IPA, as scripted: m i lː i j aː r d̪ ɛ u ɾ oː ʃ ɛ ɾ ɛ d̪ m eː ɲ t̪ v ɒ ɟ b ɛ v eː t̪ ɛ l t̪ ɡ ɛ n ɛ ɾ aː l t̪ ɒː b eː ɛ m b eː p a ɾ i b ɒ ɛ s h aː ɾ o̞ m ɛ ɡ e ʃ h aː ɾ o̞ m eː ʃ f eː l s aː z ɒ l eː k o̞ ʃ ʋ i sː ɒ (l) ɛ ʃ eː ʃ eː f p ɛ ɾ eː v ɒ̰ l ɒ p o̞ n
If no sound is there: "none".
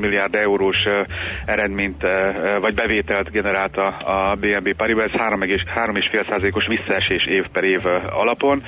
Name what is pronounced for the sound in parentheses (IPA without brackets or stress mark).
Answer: none